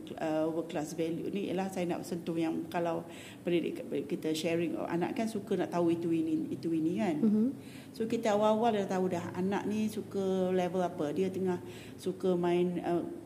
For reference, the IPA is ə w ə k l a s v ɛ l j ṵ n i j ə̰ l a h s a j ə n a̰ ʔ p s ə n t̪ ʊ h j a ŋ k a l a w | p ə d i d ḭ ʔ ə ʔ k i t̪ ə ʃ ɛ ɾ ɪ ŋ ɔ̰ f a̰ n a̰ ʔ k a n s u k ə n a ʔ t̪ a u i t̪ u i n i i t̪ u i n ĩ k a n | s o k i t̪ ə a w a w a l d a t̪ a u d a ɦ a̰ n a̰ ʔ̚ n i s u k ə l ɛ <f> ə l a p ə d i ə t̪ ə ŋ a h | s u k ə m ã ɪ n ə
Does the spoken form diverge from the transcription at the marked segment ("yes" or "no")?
yes